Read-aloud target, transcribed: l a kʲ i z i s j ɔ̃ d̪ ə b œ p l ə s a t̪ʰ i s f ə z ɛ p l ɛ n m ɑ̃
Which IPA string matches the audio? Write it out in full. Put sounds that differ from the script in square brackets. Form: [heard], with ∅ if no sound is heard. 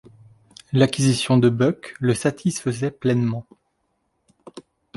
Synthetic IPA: l a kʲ i z i s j ɔ̃ d̪ ə b œ [k] l ə s a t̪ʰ i s f ə z ɛ p l ɛ n m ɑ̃